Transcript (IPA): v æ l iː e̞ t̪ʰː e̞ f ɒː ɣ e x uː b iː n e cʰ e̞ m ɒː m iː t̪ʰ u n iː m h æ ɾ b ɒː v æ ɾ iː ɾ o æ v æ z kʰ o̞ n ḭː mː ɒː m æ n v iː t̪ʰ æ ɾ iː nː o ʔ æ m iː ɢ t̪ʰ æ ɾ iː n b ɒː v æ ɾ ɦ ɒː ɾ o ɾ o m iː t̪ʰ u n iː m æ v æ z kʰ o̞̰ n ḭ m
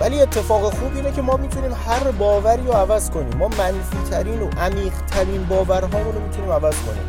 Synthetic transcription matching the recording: v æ l iː e̞ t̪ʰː e̞ f ɒː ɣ e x uː b iː n e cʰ e̞ m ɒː m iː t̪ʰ u n iː m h æ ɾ b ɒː v æ ɾ iː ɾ o æ v æ z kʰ o̞ n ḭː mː ɒː m æ n f iː t̪ʰ æ ɾ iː n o ʔ æ m iː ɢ t̪ʰ æ ɾ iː n b ɒː v æ ɾ ɦ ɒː ɾ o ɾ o m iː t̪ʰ u n iː m æ v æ z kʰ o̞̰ n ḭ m